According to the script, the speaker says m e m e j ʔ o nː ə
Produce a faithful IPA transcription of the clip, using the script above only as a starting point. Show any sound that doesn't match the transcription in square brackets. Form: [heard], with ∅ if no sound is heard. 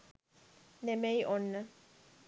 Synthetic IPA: [n] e m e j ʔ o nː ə